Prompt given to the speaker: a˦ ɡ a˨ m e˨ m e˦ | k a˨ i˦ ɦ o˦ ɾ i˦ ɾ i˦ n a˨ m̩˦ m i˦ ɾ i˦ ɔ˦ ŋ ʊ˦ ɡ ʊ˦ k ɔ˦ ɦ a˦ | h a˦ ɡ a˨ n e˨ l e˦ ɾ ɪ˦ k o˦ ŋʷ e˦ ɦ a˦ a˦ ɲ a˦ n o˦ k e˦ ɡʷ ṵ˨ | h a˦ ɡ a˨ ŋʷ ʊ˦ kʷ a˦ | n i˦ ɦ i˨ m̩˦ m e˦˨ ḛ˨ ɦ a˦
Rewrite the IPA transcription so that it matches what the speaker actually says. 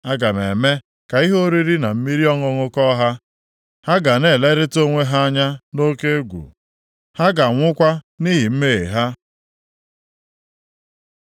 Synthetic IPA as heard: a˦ ɡ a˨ m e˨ m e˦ | k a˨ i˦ ɦ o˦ ɾ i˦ ɾ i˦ n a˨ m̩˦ m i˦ ɾ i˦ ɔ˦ ŋ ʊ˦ ŋ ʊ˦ k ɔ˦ ɦ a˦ | h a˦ ɡ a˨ n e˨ l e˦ ɾ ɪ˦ t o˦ ŋʷ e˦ ɦ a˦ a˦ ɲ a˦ n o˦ k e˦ ɡʷ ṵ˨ | h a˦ ɡ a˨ ŋʷ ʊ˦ kʷ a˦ | n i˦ ɦ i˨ m̩˦ m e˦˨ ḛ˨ ɦ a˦

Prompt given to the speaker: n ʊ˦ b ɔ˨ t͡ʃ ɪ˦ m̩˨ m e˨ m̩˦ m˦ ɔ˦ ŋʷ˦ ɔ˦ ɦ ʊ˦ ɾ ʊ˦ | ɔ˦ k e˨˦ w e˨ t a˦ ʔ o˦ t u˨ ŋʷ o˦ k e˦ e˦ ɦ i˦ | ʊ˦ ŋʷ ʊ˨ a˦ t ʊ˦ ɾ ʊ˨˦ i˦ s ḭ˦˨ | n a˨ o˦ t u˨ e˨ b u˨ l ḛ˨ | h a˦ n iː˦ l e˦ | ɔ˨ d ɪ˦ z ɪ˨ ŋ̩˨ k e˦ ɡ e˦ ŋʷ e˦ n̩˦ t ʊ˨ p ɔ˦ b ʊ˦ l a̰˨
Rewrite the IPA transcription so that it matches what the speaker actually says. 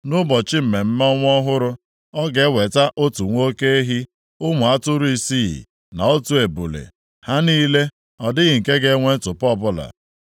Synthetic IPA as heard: n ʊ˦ b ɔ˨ t͡ʃ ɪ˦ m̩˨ m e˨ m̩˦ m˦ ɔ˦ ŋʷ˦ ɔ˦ ɦ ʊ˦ ɾ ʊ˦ | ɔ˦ ɡ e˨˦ w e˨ t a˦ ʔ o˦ t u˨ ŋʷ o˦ k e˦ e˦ ɦ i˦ | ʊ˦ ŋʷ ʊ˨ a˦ t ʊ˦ ɾ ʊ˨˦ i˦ s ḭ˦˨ | n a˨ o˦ t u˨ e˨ b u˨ l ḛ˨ | h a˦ n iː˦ l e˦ | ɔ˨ d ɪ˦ ɣ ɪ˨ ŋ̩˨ k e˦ ɡ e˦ ŋʷ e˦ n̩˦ t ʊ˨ p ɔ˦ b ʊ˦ l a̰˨

